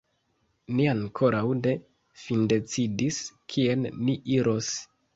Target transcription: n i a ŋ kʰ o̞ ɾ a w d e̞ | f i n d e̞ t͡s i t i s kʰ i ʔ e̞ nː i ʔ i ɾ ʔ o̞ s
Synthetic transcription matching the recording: n i a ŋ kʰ o̞ ɾ a w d e̞ | f i n d e̞ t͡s i d i s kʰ i e̞ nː i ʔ i ɾ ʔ o̞ s